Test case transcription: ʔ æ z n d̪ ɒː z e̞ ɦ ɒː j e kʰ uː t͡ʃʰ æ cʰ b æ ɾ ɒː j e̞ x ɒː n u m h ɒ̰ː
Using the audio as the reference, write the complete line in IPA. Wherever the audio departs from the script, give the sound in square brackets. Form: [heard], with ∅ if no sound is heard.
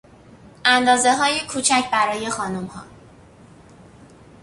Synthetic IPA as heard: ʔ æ [∅] n d̪ ɒː z e̞ ɦ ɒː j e kʰ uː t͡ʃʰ æ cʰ b æ ɾ ɒː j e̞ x ɒː n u m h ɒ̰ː